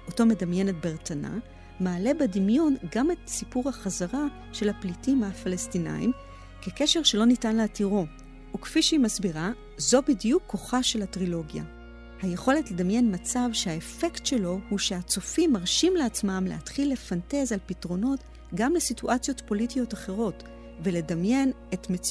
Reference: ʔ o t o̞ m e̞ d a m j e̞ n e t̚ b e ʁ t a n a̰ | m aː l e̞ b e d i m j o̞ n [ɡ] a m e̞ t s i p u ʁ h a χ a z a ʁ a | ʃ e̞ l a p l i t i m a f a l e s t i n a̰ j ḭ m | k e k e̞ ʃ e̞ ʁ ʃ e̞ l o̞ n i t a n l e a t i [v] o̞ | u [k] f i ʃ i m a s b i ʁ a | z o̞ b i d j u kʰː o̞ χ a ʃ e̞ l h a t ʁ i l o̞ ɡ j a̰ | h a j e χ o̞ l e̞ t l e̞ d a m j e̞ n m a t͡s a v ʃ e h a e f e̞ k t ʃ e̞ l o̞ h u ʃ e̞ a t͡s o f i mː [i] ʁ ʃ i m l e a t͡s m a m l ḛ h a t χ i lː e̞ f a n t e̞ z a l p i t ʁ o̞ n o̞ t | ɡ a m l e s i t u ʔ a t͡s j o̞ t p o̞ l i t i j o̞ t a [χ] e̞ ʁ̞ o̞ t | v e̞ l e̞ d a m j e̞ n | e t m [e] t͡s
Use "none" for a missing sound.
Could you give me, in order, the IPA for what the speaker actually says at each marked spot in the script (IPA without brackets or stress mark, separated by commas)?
ɡ, ʁ, k, a, χ, e